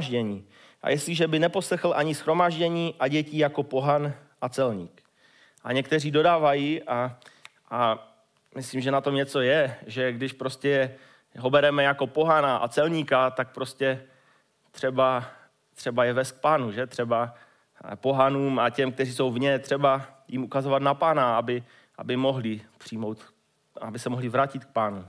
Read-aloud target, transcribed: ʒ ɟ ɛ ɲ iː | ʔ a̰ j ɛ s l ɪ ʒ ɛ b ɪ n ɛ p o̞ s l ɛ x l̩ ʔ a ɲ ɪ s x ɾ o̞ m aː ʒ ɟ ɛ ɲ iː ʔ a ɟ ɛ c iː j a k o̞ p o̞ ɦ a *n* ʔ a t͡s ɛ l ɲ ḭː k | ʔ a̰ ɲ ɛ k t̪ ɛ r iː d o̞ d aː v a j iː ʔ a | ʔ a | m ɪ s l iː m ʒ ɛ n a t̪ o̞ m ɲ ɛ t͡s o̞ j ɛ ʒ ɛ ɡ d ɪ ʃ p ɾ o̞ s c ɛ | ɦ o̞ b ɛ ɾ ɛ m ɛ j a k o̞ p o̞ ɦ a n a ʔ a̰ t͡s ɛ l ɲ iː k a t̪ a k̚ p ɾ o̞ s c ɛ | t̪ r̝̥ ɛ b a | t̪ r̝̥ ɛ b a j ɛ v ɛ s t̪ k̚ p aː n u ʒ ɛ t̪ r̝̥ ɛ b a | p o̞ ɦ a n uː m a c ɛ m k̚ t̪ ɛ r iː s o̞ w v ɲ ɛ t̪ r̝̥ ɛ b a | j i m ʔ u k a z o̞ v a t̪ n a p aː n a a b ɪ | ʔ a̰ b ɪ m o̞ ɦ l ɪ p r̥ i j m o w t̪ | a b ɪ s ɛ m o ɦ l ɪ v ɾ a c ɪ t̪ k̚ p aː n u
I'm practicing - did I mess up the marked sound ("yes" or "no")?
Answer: no